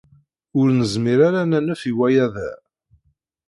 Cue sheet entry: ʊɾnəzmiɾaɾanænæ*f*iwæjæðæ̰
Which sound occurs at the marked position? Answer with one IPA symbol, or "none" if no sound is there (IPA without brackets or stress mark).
f